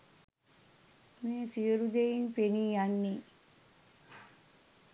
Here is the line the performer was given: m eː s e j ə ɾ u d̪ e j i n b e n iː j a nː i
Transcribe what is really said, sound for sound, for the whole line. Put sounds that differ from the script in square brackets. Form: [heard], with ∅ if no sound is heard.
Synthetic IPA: m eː s [i] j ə ɾ u d̪ e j i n [p] e n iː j a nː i